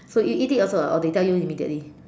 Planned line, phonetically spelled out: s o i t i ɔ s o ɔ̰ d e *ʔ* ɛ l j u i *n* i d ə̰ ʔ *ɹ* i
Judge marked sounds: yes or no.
no, no, no

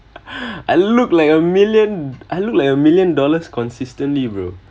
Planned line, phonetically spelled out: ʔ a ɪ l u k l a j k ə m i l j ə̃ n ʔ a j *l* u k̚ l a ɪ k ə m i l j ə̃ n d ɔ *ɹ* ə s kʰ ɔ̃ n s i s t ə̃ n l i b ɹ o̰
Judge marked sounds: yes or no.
yes, no

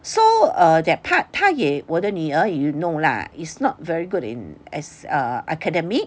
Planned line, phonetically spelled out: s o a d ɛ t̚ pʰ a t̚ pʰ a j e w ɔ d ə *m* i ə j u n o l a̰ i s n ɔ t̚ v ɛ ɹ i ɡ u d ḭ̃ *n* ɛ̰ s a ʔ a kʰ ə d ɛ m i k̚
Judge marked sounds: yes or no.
no, yes

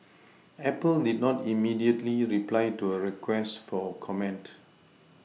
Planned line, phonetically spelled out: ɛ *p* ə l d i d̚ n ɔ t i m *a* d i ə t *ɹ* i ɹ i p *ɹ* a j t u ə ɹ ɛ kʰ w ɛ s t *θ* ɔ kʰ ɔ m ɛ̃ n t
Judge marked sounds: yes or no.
yes, no, no, no, no

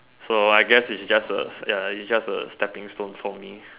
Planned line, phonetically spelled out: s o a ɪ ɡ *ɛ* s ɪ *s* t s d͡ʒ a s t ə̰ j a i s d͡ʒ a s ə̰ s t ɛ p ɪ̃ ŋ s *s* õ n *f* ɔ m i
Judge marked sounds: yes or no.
yes, no, no, yes

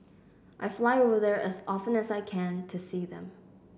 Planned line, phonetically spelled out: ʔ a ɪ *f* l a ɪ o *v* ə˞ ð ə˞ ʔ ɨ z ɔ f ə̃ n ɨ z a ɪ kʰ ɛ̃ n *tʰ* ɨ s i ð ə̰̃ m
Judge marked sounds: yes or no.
yes, yes, yes

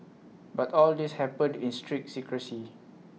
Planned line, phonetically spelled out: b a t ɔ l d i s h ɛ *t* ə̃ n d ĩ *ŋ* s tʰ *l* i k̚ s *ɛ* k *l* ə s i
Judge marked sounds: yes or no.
no, no, no, no, no

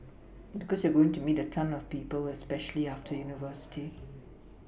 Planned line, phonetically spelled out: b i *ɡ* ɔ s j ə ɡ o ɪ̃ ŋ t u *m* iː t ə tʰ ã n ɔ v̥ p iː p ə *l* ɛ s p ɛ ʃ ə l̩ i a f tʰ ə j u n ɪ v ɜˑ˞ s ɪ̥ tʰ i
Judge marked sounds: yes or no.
no, yes, yes

